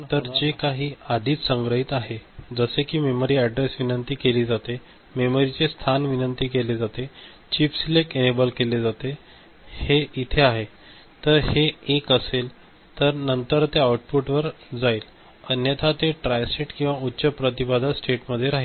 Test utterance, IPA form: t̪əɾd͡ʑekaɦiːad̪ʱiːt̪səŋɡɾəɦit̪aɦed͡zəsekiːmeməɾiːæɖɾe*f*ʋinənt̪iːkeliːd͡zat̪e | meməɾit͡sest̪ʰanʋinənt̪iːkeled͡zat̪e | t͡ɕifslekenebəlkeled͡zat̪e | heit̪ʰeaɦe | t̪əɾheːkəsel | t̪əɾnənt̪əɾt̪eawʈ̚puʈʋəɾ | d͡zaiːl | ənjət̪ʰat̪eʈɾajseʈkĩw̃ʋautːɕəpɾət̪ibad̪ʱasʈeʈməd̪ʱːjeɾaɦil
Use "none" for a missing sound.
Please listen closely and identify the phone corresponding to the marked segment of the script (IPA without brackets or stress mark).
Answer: s